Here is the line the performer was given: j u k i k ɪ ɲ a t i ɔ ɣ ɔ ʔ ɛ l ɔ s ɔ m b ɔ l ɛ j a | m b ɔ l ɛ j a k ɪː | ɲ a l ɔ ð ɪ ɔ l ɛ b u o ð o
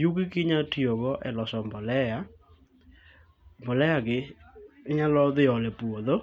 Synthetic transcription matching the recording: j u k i k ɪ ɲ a t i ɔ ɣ ɔ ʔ ɛ l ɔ s ɔ m b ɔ l ɛ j a | m b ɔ l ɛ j a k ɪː | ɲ a l ɔ ð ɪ ɔ l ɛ p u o ð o

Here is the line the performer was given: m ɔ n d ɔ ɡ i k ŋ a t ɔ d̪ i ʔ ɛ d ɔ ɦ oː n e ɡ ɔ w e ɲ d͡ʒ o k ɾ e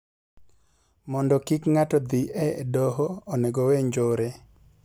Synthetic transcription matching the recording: m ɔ n d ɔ k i k ŋ a t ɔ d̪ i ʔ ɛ d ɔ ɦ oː n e ɡ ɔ w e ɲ d͡ʒ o ɾ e

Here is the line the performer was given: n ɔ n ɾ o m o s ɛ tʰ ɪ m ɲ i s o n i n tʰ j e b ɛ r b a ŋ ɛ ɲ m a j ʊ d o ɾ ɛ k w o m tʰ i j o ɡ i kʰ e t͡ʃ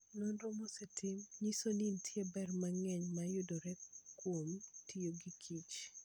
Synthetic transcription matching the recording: n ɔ n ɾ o m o s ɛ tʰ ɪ m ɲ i s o n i n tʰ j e b ɛ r m a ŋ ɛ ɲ m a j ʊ d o ɾ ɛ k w o m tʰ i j o ɡ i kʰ i t͡ʃ

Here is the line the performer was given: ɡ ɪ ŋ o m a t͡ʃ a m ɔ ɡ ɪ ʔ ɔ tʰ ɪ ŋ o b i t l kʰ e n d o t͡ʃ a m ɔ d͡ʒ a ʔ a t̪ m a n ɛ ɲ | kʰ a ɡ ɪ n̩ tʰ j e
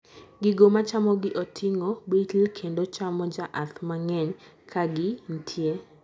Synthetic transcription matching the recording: ɡ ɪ ɡ o m a t͡ʃ a m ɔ ɡ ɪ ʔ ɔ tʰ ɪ ŋ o b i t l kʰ e n d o t͡ʃ a m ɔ d͡ʒ a ʔ a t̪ m a ŋ ɛ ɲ | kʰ a ɡ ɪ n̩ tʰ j e

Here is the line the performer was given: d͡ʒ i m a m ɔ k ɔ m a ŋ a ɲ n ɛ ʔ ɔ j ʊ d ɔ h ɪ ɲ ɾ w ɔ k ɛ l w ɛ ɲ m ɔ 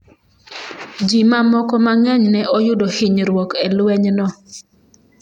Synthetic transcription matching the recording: d͡ʒ i m a m ɔ k ɔ m a ŋ ɛ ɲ n ɛ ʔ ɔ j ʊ d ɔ h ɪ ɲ ɾ w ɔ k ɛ l w ɛ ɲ n ɔ

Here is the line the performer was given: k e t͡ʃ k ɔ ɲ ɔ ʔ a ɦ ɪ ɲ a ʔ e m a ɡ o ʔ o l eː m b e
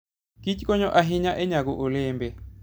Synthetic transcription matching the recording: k i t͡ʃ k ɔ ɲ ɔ ʔ a ɦ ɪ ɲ a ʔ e ɲ a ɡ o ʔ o l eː m b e

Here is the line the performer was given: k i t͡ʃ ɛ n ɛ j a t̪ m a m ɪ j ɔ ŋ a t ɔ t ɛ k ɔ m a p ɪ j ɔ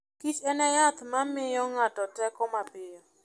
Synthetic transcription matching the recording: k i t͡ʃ ɛ n ɛ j a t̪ m a m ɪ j ɔ ŋ a t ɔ t ɛ k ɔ m a p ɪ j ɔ

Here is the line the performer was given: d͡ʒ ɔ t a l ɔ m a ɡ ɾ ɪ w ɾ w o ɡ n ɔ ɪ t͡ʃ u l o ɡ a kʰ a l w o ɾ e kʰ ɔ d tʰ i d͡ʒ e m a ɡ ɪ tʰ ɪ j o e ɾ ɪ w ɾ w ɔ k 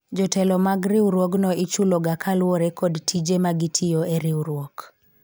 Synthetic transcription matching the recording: d͡ʒ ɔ t ɛ l ɔ m a ɡ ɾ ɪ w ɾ w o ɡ n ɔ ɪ t͡ʃ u l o ɡ a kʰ a l w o ɾ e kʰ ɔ d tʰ i d͡ʒ e m a ɡ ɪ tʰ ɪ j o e ɾ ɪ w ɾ w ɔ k

